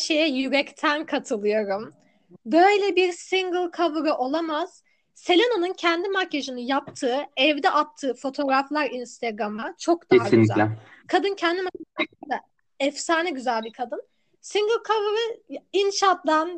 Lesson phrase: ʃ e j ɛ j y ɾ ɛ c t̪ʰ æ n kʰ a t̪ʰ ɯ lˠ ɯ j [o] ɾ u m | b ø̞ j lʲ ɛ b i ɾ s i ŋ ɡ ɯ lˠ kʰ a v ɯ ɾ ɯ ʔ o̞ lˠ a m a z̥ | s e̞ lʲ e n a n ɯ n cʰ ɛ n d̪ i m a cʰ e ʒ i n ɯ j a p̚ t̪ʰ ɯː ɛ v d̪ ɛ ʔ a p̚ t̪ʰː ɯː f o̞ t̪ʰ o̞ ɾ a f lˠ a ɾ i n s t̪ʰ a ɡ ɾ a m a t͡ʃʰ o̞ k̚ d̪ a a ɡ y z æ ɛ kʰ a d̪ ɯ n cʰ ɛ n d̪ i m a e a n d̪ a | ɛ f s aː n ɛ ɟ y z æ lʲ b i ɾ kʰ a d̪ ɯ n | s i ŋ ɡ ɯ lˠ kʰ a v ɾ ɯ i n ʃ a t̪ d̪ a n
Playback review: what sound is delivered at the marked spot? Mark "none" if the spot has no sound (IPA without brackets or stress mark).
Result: o